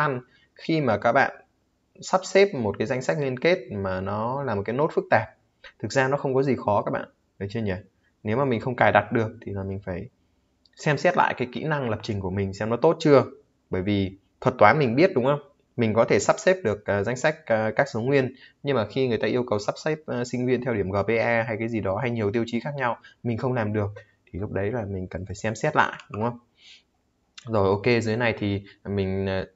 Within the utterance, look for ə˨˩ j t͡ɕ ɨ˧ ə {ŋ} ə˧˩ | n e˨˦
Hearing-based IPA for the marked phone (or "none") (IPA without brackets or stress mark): ɲ